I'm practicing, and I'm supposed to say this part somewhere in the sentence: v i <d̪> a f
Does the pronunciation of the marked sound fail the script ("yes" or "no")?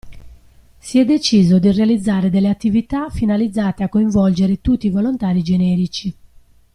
yes